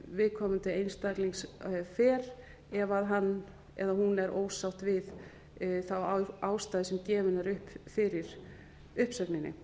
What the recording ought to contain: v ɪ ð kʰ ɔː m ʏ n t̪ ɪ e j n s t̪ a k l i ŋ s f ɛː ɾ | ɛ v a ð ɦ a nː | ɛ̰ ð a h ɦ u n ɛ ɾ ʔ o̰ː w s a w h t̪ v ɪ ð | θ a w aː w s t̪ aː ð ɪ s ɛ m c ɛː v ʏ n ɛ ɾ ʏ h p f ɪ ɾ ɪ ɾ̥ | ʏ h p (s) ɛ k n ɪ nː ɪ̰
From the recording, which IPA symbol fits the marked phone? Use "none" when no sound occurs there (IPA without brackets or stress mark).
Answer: s